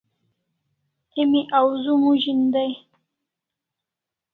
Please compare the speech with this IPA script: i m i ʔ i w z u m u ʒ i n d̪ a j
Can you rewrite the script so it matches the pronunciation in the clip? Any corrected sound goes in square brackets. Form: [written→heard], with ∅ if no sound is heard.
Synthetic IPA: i m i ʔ [i→a] w z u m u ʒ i n d̪ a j